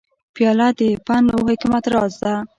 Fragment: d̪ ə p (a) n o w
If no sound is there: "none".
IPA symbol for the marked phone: a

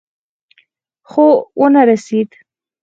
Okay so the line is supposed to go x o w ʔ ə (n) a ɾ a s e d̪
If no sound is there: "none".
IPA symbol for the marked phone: n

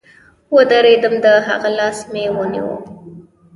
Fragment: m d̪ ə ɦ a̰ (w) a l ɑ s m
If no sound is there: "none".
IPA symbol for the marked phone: ɣ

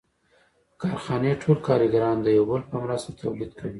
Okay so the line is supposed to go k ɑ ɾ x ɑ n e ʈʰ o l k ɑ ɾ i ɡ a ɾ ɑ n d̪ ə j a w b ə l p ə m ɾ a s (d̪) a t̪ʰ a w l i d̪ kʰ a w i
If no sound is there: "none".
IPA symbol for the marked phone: t̪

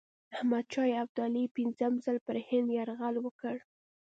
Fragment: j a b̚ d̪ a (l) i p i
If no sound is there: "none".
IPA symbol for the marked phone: l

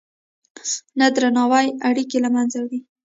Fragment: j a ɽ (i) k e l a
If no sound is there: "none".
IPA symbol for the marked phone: i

